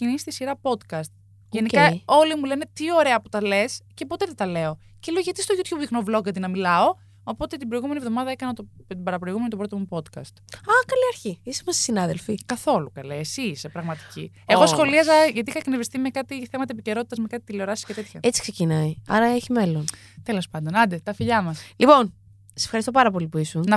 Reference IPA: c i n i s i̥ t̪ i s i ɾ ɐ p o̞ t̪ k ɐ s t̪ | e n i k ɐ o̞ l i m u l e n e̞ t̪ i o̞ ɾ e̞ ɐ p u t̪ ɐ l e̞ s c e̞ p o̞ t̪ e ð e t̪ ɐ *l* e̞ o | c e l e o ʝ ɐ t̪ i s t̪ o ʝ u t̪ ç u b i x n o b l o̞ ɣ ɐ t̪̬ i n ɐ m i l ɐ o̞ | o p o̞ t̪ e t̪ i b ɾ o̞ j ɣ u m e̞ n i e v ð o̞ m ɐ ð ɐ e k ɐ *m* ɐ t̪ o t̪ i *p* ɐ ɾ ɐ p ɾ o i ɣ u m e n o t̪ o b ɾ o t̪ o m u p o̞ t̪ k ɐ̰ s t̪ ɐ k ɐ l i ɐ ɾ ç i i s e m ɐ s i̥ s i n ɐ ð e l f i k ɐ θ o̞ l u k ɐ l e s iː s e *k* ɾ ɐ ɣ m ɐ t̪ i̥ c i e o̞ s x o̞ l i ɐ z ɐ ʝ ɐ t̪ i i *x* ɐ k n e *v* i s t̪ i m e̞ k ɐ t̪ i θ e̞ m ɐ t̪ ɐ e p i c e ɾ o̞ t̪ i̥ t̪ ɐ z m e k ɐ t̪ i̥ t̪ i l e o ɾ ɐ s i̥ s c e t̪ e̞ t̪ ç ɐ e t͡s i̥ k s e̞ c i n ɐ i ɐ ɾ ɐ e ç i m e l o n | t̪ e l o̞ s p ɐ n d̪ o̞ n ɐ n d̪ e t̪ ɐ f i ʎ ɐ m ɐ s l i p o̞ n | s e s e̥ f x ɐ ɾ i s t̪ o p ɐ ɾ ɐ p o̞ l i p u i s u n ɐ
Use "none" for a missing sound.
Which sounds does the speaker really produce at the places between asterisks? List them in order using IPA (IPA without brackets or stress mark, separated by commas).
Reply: l, n, b, p, x, v